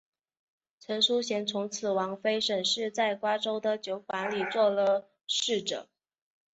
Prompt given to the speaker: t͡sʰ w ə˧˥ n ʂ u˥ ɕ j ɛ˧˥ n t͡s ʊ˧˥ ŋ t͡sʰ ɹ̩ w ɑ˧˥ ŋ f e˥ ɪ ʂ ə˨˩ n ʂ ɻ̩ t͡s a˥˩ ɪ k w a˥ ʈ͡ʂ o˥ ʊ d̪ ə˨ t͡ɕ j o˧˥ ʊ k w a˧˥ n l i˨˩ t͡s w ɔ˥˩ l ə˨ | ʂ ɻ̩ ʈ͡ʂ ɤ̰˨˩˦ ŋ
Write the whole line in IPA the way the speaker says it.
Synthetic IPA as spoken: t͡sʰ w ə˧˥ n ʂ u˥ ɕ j ɛ˧˥ n t͡sʰ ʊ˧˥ ŋ t͡sʰ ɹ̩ w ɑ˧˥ ŋ f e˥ ɪ ʂ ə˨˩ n ʂ ɻ̩ t͡s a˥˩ ɪ k w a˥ ʈ͡ʂ o˥ ʊ d̪ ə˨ t͡ɕ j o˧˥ ʊ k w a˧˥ n l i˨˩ t͡s w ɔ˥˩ l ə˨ | ʂ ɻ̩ ʈ͡ʂ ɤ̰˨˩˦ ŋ